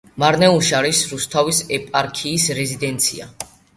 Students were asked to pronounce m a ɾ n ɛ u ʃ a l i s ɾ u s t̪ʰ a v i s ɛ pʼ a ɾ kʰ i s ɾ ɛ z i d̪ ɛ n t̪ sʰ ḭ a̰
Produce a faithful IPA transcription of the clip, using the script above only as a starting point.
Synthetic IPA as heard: m a ɾ n ɛ u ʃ a ɾ i s ɾ u s t̪ʰ a v i s ɛ pʼ a ɾ kʰ iː s ɾ ɛ z i d̪ ɛ n t̪ sʰ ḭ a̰